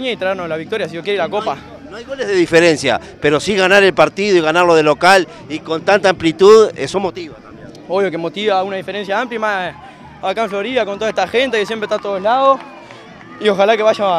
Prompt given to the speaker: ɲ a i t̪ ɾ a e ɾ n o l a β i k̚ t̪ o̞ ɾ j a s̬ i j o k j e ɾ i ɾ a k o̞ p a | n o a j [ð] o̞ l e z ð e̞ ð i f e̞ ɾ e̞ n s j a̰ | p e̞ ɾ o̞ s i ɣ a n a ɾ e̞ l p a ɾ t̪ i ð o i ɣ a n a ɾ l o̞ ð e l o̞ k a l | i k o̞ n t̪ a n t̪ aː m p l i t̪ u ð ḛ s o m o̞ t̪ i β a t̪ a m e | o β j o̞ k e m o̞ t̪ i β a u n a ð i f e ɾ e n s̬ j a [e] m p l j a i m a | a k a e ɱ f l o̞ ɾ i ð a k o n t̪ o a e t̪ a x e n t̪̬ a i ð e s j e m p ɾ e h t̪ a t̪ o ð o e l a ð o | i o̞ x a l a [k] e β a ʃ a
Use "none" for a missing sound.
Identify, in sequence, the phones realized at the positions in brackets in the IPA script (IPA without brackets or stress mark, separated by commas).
ɣ, a, k